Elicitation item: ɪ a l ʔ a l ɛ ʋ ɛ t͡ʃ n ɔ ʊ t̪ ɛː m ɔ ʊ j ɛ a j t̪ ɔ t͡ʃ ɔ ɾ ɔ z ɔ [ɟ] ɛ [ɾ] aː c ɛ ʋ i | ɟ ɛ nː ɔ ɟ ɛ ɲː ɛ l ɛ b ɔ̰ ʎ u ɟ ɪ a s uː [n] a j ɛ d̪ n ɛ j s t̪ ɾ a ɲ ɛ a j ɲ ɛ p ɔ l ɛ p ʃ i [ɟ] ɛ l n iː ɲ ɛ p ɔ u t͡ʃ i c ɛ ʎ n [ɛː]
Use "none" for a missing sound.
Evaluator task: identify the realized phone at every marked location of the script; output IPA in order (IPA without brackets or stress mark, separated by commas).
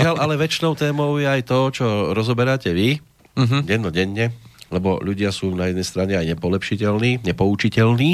b, ɾ, n, c, iː